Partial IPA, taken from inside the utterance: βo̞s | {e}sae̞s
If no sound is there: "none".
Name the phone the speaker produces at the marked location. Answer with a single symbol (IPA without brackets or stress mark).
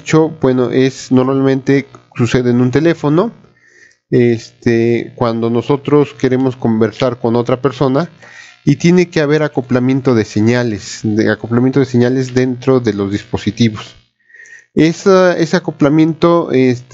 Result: e